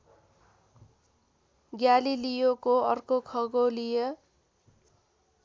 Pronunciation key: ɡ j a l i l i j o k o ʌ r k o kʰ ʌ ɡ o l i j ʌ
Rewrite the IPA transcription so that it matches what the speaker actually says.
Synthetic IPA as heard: ɡ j a l i l i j o k o ʌ r k o kʰ ʌ ɡ o l i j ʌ